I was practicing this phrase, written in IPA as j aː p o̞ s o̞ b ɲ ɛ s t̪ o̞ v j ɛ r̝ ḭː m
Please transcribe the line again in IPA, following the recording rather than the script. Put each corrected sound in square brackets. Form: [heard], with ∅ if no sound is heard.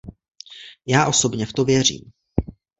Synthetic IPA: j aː [ʔ] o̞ s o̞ b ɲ ɛ [f] t̪ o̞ v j ɛ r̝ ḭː m